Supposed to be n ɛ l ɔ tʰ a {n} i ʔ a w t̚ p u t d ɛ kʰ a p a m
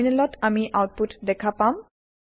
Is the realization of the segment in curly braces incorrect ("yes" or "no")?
yes